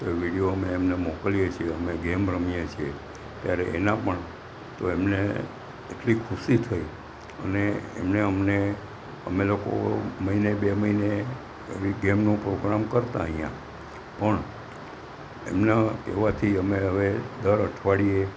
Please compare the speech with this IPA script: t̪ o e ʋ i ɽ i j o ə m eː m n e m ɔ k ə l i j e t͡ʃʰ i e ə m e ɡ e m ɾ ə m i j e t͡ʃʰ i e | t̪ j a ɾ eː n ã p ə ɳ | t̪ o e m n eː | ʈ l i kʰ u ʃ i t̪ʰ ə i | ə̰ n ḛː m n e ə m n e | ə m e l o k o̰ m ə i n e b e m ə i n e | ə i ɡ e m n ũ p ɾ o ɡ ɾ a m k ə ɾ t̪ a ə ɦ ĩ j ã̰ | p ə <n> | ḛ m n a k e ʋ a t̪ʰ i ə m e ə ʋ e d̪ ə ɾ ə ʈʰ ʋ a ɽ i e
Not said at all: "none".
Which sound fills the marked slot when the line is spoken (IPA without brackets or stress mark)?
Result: ɳ